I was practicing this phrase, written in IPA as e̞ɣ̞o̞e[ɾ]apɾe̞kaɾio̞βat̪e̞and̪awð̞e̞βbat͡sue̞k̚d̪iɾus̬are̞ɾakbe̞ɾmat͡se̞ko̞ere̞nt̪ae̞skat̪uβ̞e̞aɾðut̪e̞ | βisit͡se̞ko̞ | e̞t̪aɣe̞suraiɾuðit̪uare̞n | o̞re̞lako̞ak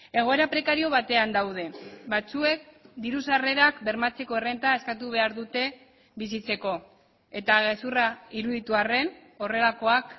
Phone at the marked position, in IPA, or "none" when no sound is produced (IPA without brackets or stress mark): ɾ